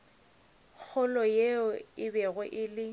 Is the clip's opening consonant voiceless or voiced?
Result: voiceless